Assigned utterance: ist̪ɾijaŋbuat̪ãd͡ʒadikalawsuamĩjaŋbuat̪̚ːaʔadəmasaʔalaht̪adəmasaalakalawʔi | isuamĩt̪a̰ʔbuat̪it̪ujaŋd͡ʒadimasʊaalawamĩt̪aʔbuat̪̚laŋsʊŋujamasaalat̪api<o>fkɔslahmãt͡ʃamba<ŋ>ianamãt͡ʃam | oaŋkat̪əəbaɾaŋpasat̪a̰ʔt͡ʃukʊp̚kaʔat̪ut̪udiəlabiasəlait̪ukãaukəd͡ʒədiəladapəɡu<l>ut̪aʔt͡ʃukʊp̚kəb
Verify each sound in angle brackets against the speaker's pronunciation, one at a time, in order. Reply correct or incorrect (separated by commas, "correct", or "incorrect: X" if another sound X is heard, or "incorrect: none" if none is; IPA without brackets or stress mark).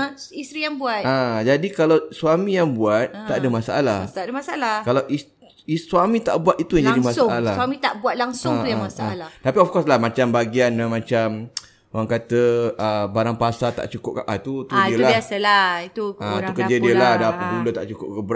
incorrect: ɔ, incorrect: ɡ, correct